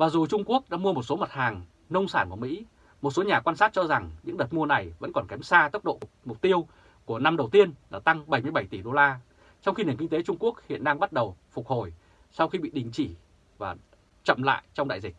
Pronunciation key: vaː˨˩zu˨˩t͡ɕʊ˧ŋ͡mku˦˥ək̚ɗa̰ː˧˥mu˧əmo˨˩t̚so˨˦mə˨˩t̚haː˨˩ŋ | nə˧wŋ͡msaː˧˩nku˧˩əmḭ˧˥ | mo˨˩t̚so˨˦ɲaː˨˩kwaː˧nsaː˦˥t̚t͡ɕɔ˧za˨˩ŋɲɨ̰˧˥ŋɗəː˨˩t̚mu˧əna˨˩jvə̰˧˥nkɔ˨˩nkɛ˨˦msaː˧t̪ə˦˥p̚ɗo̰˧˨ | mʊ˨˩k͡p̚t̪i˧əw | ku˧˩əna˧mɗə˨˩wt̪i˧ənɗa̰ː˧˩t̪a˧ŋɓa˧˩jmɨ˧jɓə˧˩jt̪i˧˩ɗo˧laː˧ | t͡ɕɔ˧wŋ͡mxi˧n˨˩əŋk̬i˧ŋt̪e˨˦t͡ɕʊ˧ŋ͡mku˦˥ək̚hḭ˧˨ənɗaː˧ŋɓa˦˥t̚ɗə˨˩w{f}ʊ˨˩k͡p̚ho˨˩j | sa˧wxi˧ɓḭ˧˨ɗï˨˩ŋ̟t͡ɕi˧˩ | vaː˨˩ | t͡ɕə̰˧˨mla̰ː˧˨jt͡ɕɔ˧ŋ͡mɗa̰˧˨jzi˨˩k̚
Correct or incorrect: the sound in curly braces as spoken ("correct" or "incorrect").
correct